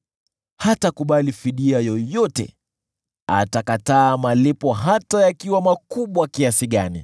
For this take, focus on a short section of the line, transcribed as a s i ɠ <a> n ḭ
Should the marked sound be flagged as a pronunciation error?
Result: no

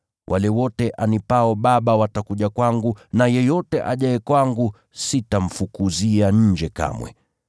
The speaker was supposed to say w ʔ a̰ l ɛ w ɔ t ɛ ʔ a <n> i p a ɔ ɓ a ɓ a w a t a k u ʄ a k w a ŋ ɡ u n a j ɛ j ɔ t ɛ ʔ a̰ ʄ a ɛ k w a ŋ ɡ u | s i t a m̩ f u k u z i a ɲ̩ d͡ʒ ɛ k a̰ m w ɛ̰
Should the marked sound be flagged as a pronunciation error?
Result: no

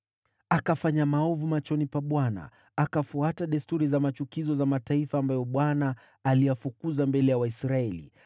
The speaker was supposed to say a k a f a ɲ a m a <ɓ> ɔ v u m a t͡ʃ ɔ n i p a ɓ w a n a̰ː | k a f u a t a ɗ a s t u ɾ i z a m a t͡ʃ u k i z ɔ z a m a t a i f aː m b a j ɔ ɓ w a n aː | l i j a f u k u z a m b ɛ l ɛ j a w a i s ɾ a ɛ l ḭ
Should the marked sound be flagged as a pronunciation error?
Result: yes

